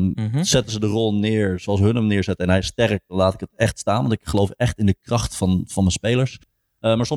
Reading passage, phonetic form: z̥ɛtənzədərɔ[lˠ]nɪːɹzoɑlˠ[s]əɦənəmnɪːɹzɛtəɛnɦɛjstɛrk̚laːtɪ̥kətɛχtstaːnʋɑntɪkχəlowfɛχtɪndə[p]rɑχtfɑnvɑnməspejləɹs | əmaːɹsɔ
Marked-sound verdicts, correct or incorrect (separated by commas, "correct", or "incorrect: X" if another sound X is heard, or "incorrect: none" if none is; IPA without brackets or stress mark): correct, correct, incorrect: k